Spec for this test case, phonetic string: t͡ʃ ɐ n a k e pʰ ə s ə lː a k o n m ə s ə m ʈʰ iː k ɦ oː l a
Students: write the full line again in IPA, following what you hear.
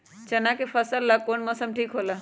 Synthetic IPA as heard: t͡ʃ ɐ n a k e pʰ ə s ə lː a k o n m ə s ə m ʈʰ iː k ɦ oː l a